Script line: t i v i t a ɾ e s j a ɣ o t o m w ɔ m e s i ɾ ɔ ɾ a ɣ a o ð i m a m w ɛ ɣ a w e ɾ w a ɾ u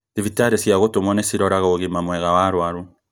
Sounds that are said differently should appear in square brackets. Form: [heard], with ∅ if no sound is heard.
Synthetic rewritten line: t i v i t a ɾ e s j a ɣ o t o m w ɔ [n] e s i ɾ ɔ ɾ a ɣ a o [ɣ] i m a m w ɛ ɣ a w [a] ɾ w a ɾ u